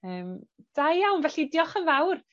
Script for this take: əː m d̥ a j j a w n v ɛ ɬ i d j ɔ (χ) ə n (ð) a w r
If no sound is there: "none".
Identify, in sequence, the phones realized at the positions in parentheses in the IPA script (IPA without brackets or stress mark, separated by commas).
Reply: χ, v